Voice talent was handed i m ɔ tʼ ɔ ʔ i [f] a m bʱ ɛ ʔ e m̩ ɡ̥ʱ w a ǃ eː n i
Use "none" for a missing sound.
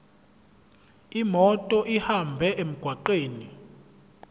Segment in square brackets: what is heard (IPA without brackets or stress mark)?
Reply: h